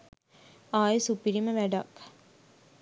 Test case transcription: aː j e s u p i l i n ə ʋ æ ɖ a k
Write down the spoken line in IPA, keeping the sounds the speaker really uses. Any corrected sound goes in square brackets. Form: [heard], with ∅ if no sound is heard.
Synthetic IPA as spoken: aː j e s u p i [ɾ] i [m] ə ʋ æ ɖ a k